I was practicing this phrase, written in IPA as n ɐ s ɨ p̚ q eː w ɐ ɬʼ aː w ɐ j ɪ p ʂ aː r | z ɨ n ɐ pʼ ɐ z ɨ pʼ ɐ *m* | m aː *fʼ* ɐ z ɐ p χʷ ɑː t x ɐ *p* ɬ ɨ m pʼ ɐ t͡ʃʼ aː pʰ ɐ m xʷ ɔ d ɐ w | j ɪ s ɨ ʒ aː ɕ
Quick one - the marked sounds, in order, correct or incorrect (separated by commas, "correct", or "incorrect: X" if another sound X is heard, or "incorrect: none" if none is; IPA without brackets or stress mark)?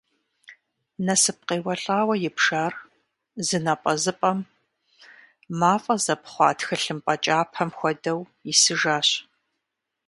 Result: correct, correct, incorrect: none